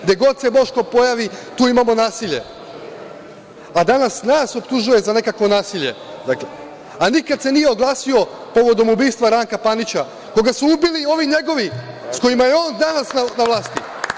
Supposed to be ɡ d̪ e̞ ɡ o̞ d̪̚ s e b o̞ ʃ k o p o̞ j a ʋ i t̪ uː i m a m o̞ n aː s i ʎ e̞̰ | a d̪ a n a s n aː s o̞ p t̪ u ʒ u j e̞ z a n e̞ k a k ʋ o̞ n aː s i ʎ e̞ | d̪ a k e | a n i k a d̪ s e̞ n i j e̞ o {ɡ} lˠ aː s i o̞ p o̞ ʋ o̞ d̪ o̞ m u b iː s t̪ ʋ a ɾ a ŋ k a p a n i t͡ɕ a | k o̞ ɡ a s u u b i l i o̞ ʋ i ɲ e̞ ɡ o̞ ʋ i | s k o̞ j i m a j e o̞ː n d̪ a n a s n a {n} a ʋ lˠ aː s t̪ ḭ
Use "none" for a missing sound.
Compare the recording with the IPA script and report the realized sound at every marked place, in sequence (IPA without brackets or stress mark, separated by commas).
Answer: ɡ, n